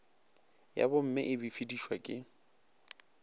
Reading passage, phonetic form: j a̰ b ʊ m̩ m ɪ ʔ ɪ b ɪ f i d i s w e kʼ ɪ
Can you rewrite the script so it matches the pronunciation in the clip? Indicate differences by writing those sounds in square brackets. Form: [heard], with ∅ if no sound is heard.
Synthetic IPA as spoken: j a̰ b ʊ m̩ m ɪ ʔ ɪ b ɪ f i d i [ʃ] w [a] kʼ ɪ